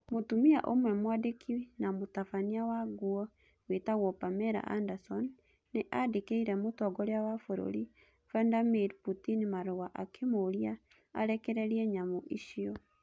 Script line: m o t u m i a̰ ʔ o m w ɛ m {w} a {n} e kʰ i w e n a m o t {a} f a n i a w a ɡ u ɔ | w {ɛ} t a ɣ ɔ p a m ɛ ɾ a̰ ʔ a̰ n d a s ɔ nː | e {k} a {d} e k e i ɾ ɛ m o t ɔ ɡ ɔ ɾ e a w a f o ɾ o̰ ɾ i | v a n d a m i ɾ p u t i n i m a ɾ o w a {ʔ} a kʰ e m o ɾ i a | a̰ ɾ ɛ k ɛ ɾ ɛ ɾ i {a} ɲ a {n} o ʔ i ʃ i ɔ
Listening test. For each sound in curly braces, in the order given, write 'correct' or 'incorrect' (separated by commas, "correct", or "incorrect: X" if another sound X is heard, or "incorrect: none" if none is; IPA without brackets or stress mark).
correct, incorrect: d, correct, incorrect: e, incorrect: ʔ, correct, correct, incorrect: ɛ, incorrect: m